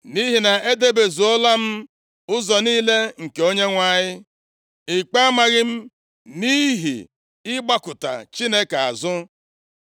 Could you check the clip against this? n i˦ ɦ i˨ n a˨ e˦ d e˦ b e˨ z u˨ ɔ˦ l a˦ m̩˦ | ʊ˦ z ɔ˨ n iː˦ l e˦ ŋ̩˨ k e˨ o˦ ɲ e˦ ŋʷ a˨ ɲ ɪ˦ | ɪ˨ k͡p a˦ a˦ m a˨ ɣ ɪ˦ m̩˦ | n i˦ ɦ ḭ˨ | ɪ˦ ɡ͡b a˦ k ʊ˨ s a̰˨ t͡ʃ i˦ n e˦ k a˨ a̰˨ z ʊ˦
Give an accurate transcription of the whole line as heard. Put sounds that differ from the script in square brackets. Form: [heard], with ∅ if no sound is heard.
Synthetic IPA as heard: n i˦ ɦ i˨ n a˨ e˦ d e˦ b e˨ z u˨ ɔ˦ l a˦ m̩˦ | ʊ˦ z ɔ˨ n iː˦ l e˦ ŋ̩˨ k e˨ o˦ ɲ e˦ ŋʷ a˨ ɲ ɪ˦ | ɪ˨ k͡p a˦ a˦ m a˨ ɣ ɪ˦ m̩˦ | n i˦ ɦ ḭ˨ | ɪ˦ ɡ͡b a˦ k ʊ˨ [t] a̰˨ t͡ʃ i˦ n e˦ k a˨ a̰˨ z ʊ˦